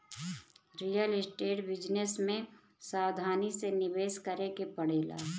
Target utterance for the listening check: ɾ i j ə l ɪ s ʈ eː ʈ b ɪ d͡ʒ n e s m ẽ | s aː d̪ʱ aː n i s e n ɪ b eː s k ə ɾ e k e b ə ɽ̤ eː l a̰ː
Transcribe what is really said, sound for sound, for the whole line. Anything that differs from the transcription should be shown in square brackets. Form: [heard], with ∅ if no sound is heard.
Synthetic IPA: ɾ i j ə l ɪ s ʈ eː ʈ b ɪ d͡ʒ n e s m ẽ | s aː d̪ʱ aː n i s e n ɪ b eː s k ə ɾ e k e [p] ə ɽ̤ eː l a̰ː